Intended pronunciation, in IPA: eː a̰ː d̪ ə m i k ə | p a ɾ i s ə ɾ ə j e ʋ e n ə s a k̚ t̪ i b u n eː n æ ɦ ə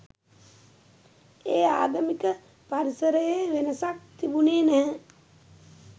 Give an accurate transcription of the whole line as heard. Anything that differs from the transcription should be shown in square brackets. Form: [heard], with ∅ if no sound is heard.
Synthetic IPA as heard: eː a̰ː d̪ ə m i k ə | p a ɾ i s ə ɾ ə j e ʋ e n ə s a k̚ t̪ i b u n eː n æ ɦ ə